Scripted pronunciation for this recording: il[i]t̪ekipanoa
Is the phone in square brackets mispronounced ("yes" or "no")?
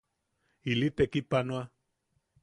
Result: no